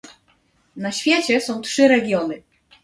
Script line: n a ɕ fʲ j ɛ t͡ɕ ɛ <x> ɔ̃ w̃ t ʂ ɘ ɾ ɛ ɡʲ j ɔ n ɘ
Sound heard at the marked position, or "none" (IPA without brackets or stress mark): s